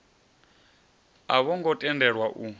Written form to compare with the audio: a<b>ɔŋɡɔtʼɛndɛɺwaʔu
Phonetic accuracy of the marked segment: incorrect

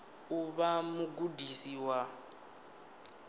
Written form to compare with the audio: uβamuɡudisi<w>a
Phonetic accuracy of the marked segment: correct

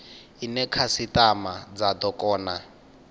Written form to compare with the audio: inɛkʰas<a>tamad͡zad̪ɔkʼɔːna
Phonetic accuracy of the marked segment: incorrect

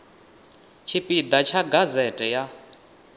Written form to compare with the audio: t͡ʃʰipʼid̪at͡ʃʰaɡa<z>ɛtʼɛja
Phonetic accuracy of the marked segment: correct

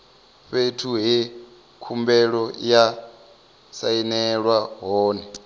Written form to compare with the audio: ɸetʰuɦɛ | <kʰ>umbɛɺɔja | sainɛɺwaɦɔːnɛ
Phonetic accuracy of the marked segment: correct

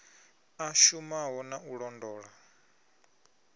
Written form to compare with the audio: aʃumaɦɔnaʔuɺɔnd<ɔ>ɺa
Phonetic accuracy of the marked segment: incorrect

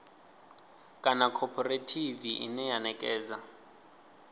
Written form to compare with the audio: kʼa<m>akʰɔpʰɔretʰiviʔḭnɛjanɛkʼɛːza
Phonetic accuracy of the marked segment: incorrect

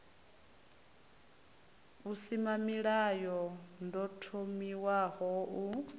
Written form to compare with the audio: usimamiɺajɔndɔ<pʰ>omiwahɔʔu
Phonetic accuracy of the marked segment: incorrect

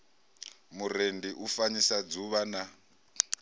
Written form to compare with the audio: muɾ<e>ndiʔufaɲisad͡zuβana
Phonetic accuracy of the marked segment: correct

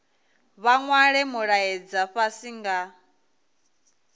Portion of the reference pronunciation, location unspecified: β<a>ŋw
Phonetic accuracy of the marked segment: correct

